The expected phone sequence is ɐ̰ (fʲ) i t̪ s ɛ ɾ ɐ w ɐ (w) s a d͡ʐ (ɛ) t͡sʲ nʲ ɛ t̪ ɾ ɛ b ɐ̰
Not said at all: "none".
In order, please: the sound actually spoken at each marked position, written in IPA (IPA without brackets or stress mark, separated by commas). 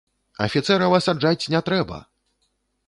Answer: fʲ, none, a